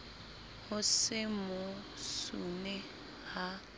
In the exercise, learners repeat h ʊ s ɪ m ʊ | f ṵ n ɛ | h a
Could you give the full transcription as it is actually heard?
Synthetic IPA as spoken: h ʊ s ɪ m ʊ | s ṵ n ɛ | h a